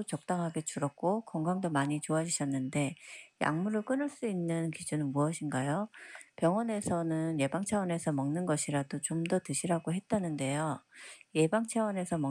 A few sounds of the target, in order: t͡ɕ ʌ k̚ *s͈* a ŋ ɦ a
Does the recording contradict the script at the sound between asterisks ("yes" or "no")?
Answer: yes